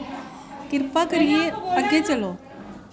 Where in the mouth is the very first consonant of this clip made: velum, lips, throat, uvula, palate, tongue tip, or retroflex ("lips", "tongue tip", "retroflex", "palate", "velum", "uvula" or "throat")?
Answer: velum